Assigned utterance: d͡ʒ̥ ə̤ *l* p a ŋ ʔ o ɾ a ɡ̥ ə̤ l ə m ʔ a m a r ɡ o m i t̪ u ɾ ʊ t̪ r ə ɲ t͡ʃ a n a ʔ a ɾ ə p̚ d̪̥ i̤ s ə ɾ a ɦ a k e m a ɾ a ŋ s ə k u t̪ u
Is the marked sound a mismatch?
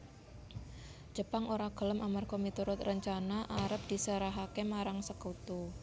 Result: yes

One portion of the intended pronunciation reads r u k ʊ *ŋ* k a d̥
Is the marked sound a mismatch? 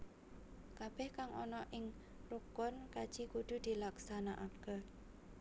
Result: yes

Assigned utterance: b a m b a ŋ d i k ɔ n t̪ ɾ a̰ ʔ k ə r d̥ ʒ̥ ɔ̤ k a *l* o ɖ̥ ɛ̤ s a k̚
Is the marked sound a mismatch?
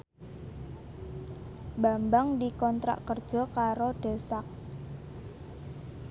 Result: yes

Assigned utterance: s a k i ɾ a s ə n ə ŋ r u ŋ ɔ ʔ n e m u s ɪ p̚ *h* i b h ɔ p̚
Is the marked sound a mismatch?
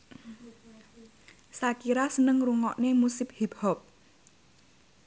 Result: no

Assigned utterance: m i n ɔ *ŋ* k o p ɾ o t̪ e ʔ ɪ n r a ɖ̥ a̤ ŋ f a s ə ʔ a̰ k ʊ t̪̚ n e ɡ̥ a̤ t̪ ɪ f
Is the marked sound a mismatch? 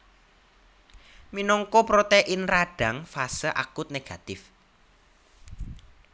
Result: no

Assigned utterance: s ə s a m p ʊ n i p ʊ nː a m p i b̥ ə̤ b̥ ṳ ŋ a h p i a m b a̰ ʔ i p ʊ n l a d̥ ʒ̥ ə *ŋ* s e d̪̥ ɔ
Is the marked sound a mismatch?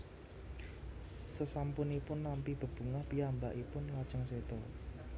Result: no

